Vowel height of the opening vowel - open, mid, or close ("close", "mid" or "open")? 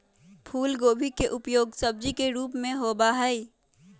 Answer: close